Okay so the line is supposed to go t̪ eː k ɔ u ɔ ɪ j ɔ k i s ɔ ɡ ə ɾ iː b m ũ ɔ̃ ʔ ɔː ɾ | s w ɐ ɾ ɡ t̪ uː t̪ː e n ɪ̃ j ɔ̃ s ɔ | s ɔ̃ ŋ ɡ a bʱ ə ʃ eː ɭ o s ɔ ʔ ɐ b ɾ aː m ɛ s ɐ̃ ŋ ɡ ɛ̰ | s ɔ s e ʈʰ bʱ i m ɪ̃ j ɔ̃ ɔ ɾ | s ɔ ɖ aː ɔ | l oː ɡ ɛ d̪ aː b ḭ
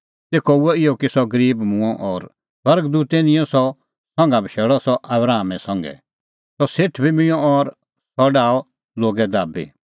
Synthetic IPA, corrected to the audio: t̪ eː k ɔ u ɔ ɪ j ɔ k i s ɔ ɡ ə ɾ iː b m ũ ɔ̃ ʔ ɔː ɾ | s w ɐ ɾ ɡ d̪ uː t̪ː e n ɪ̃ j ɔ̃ s ɔ | s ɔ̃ ŋ ɡ a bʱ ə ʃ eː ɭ ɔ s ɔ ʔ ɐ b ɾ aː m ɛ s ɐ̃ ŋ ɡ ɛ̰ | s ɔ s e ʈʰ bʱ i m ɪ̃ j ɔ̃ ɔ ɾ | s ɔ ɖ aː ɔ | l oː ɡ ɛ d̪ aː b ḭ

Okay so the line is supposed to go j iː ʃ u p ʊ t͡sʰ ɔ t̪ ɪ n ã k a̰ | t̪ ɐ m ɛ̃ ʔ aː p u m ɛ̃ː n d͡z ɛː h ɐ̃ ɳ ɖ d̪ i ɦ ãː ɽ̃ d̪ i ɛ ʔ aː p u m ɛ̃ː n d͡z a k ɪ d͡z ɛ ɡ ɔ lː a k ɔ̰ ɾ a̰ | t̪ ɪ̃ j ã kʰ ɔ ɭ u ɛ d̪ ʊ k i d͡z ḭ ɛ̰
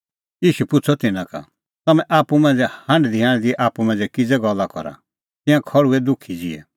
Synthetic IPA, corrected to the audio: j iː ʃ u p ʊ t͡sʰ ɔ t̪ ɪ n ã k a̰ | t̪ ɐ m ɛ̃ ʔ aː p u m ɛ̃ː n d͡z ɛ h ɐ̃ ɳ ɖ d̪ i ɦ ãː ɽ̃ d̪ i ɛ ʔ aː p u m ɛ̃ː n d͡z ɛ k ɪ d͡z ɛ ɡ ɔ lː a k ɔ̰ ɾ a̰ | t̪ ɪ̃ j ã kʰ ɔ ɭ u ɛ d̪ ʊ kʰ i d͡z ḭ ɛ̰

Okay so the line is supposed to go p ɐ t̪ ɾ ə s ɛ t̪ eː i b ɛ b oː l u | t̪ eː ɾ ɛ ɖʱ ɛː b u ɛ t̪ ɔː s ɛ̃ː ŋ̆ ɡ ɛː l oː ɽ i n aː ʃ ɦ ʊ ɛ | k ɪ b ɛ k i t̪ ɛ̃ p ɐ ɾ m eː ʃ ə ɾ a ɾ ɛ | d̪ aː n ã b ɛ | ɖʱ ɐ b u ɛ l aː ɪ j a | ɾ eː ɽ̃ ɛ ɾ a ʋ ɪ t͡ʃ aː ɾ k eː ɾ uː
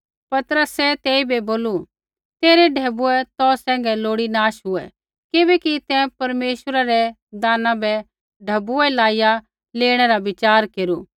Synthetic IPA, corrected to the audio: p ɐ t̪ ɾ ə s ɛ t̪ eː i b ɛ b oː l u | t̪ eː ɾ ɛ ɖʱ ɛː b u ɛ t̪ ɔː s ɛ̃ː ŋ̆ ɡ ɛ l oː ɽ i n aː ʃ ɦ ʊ ɛ | k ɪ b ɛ k i t̪ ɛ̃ p ɐ ɾ m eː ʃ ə ɾ a ɾ ɛ | d̪ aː n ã b ɛ | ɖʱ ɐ b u ɛ l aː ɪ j a | l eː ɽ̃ ɛ ɾ a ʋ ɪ t͡ʃ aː ɾ k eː ɾ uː

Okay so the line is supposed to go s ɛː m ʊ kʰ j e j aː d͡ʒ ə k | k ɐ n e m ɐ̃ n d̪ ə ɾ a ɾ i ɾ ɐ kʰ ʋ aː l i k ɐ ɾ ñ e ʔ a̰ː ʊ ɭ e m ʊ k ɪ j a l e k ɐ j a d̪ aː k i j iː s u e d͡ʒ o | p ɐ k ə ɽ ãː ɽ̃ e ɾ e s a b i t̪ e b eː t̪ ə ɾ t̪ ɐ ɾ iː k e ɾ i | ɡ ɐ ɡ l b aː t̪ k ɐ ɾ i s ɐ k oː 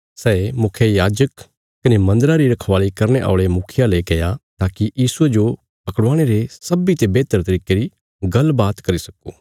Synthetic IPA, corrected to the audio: s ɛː m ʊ kʰ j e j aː d͡ʒ ə k | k ɐ n e m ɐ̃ n d̪ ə ɾ a ɾ i ɾ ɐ kʰ ʋ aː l i k ɐ ɾ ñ e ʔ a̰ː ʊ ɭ e m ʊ kʰ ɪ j a l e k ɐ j a t̪ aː k i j iː s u e d͡ʒ o | p ɐ k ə ɽ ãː ɽ̃ e ɾ e s ɐ b i t̪ e b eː t̪ ə ɾ t̪ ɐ ɾ iː k e ɾ i | ɡ ɐ l b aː t̪ k ɐ ɾ i s ɐ k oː

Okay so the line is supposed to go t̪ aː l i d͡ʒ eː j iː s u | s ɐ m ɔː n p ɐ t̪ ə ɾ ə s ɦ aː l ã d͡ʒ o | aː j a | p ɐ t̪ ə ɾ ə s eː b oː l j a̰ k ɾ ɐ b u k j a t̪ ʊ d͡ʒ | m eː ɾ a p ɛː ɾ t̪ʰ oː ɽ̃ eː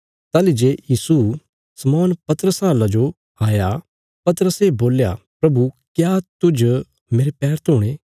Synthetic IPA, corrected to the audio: t̪ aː l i d͡ʒ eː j iː s u | s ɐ m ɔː n p ɐ t̪ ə ɾ ə s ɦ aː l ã d͡ʒ o | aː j a | p ɐ t̪ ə ɾ ə s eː b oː l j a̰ p ɾ ɐ b u k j a t̪ ʊ d͡ʒ | m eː ɾ e p ɛː ɾ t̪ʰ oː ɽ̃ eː

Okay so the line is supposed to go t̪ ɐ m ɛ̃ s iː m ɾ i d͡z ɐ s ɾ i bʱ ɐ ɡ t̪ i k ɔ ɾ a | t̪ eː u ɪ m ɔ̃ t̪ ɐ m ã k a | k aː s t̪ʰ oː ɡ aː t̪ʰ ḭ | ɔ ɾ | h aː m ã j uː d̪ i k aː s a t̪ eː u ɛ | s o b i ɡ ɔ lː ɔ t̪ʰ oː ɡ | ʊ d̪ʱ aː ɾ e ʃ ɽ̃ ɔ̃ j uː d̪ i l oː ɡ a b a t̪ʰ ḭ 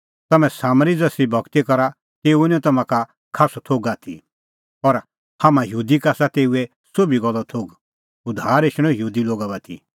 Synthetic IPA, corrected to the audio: t̪ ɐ m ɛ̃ s aː m ɾ i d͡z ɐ s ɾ i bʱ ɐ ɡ t̪ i k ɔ ɾ a | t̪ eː u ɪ n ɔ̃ t̪ ɐ m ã k a | kʰ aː s t̪ʰ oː ɡ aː t̪ʰ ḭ | ɔ ɾ | h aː m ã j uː d̪ i k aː s a t̪ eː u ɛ | s o b i ɡ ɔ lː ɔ t̪ʰ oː ɡ | ʊ d̪ʱ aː ɾ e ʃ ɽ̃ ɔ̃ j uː d̪ i l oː ɡ a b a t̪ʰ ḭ

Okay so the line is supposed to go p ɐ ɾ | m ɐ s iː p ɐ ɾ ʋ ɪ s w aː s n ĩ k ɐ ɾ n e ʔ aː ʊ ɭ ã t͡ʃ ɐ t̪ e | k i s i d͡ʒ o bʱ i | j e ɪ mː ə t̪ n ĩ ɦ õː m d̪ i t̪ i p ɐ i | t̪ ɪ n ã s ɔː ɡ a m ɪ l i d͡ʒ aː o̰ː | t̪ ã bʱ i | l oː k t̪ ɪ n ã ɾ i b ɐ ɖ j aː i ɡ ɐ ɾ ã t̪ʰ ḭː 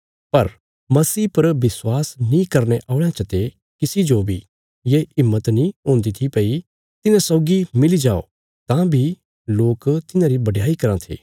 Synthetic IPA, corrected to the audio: p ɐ ɾ | m ɐ s iː p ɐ ɾ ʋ ɪ s w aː s n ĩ k ɐ ɾ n e ʔ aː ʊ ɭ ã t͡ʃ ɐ t̪ e | k ɪ s i d͡ʒ o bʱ i | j e ɪ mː ə t̪ n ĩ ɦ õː n d̪ i t̪ʰ i p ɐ i | t̪ ɪ n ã s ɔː ɡ i m ɪ l i d͡ʒ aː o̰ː | t̪ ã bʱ i | l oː k t̪ ɪ n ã ɾ i b ɐ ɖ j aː i k ɐ ɾ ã t̪ʰ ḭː

